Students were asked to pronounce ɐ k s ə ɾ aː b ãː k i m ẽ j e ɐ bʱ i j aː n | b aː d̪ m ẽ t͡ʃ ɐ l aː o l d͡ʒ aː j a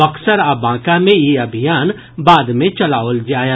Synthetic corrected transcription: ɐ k s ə ɾ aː b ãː k a m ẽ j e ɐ bʱ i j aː n | b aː d̪ m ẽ t͡ʃ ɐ l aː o l d͡ʒ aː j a